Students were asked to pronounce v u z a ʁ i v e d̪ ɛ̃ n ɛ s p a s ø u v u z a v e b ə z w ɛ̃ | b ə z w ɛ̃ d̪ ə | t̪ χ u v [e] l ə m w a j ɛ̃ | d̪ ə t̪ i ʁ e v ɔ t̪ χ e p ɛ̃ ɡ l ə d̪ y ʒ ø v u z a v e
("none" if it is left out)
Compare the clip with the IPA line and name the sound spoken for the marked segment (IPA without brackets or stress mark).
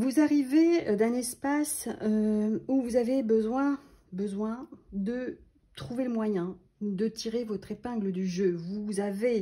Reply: e